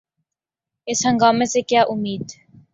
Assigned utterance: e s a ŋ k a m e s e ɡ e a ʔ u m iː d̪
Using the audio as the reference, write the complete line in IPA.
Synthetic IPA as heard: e s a ŋ ɡ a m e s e k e a ʔ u m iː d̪